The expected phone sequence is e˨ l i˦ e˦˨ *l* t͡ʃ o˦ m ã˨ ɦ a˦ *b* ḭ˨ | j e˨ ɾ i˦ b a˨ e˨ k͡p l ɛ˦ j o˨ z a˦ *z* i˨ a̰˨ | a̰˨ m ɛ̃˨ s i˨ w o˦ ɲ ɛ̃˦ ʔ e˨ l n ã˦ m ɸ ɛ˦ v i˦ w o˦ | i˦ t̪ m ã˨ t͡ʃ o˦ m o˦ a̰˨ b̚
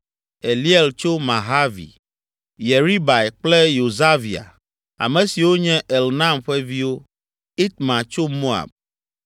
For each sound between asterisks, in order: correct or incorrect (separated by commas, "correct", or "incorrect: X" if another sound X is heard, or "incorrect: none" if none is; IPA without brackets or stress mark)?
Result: correct, incorrect: v, incorrect: v